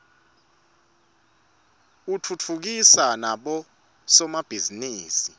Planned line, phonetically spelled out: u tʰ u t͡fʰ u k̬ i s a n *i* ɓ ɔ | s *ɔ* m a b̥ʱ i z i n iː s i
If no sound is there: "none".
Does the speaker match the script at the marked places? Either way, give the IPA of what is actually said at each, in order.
a, ɔ

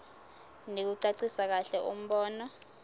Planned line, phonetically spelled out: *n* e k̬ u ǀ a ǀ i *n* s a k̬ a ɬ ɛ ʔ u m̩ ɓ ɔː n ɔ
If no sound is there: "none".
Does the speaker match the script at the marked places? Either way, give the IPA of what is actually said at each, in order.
n, none

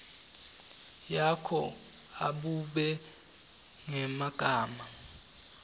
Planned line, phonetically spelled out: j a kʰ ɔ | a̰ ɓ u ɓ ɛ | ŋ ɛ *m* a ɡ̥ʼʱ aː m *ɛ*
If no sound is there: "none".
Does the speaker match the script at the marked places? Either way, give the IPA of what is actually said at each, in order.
m, a

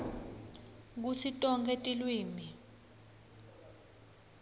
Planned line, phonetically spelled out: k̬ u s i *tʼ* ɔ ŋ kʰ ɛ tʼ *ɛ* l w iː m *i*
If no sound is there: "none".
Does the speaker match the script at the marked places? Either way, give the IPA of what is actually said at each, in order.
tʼ, i, i

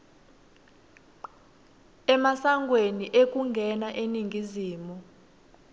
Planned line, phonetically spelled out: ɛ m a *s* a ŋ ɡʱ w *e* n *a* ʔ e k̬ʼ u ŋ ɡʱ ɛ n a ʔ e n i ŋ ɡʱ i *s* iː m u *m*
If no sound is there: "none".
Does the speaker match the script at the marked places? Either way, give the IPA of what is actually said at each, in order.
s, e, i, z, none

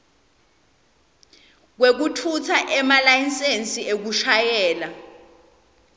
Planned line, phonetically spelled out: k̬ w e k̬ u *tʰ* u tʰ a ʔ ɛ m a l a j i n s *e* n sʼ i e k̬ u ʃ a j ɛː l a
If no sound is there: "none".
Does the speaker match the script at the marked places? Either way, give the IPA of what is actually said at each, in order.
tʰ, e

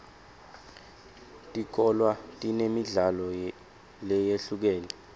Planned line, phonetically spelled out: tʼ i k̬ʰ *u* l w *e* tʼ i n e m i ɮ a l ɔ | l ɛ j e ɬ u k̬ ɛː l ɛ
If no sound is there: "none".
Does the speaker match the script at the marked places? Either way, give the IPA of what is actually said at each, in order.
ɔ, a

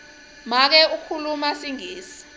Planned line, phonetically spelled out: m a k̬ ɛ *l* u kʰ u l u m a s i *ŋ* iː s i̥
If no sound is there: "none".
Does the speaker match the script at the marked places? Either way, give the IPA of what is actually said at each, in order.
none, ŋ

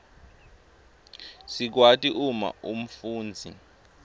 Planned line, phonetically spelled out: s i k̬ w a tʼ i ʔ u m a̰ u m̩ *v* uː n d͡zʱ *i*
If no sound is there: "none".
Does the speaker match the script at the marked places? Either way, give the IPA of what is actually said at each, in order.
f, i

